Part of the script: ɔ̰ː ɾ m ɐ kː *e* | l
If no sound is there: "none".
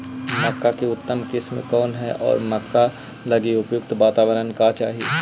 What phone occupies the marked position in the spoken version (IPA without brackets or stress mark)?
a